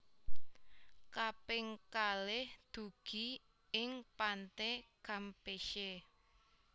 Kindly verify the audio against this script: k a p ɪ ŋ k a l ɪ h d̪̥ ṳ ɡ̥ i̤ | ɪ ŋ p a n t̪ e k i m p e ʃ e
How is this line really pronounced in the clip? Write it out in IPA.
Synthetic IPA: k a p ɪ ŋ k a l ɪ h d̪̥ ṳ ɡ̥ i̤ | ɪ ŋ p a n t̪ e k a m p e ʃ e